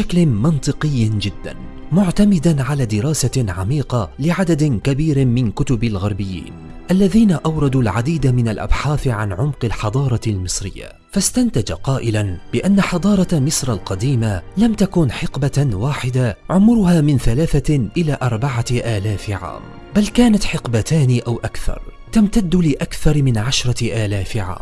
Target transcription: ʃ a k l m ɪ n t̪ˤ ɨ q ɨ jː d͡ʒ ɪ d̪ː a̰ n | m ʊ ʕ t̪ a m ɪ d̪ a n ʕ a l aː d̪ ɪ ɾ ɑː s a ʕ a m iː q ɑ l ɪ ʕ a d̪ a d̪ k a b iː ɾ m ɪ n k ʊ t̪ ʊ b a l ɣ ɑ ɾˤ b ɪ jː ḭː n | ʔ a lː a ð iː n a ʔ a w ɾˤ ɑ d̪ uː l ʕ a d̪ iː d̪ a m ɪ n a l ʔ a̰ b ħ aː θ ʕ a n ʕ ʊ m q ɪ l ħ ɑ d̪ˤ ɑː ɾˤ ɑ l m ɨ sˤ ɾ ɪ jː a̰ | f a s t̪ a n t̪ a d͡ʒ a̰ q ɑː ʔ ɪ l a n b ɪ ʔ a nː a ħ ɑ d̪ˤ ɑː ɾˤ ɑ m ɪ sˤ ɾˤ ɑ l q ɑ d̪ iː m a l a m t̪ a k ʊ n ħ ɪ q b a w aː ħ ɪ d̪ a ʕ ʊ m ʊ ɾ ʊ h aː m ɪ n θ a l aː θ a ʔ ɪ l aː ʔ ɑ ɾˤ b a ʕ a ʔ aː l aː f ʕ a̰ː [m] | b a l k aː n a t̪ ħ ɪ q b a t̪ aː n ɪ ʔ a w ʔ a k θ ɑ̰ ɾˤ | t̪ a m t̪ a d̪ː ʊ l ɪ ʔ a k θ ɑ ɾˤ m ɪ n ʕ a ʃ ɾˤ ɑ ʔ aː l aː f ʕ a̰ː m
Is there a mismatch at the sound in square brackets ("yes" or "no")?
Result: no